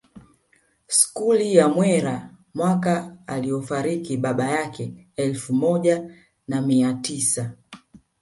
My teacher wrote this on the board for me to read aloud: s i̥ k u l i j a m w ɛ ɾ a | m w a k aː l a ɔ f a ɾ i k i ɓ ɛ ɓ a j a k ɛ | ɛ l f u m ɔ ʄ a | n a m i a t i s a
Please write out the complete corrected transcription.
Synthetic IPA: s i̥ k u l i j a m w ɛ ɾ a | m w a k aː l i ɔ f a ɾ i k i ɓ a ɓ a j a k ɛ | ɛ l f u m ɔ ʄ a | n a m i a t i s a